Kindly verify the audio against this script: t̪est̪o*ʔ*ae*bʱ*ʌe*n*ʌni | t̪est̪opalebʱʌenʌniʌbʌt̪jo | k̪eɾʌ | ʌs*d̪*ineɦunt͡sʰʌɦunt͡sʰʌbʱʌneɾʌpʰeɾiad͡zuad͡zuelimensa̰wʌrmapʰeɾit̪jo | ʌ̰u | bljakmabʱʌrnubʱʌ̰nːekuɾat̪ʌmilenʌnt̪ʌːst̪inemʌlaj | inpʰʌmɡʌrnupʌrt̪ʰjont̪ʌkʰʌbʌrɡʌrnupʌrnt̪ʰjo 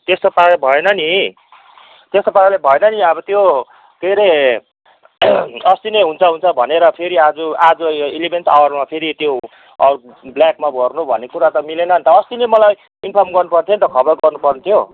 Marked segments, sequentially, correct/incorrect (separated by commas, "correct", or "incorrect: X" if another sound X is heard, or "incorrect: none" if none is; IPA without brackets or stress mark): incorrect: p, correct, correct, incorrect: t̪